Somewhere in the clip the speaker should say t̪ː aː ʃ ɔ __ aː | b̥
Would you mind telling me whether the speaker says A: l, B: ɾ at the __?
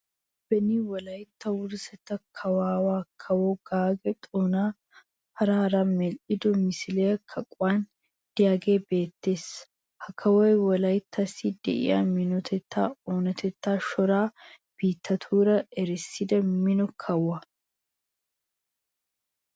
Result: B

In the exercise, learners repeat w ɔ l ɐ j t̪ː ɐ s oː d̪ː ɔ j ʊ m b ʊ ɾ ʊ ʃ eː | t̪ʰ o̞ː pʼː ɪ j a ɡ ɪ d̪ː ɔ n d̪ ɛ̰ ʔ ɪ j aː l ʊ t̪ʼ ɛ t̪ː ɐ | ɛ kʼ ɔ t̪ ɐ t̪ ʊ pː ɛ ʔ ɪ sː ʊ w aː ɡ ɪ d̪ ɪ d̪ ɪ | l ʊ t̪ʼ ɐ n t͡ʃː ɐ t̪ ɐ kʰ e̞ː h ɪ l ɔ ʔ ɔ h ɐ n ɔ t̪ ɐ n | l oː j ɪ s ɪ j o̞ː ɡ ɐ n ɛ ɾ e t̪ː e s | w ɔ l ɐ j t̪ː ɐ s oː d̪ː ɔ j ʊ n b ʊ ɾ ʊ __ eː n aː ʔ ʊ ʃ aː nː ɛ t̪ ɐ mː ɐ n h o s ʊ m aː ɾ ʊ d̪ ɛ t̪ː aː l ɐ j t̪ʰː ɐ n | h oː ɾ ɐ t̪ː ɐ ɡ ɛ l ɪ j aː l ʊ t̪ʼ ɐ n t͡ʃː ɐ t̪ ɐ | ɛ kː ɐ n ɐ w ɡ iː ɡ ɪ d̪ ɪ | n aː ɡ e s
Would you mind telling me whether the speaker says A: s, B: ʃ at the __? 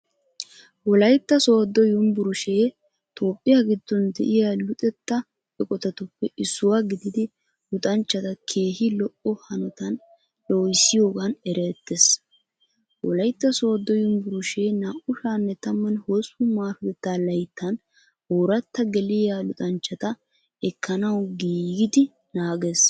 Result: B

